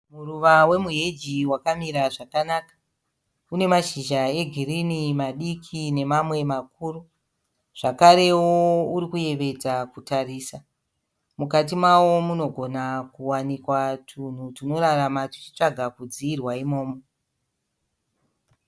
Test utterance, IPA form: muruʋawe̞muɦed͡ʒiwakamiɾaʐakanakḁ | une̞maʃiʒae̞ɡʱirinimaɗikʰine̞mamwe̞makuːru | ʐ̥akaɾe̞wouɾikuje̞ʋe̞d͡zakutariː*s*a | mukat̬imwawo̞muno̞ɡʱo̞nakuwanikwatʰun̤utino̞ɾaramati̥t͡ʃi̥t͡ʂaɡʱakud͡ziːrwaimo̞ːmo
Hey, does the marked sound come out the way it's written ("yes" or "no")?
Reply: yes